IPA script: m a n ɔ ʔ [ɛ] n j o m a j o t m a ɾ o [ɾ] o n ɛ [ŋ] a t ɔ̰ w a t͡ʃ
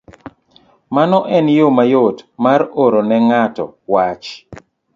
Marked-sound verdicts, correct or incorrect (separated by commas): correct, correct, correct